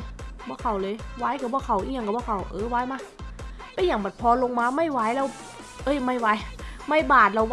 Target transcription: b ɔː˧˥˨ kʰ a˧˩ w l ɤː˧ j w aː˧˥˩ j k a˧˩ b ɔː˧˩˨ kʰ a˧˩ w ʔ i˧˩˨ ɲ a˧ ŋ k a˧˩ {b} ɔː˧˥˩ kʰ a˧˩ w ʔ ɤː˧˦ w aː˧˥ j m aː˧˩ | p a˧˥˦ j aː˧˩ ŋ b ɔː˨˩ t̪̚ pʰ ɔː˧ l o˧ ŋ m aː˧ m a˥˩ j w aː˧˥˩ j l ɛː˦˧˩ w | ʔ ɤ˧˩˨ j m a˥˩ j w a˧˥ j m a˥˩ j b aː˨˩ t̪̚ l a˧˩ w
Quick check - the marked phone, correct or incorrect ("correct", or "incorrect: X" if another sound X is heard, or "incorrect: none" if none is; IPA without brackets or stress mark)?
correct